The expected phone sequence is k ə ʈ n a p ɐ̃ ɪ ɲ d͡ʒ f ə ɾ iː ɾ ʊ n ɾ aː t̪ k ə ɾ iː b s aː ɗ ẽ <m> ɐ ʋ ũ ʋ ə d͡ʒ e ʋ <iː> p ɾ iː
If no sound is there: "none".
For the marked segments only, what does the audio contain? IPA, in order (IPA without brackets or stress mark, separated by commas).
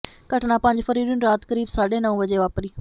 n, aː